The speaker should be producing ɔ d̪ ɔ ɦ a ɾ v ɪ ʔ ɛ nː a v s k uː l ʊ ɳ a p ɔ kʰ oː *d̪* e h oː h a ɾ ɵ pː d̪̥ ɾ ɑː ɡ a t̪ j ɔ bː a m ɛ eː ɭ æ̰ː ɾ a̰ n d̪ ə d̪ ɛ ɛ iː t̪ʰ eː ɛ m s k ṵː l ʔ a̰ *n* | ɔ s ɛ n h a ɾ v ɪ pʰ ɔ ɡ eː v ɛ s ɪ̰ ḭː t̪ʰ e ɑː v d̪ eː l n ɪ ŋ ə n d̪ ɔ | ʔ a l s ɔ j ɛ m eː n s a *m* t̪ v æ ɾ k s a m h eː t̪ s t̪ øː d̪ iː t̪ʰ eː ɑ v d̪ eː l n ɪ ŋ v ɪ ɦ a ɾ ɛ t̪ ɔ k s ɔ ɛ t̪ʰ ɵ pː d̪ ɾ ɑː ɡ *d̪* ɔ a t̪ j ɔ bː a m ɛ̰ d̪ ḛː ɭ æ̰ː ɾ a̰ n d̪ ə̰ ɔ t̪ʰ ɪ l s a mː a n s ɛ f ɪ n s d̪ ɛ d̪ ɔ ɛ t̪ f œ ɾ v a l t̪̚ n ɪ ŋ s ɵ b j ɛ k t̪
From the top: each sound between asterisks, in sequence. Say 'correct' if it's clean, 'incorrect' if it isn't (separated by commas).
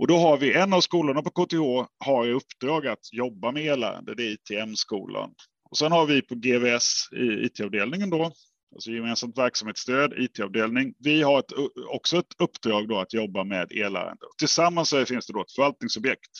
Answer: incorrect, correct, correct, correct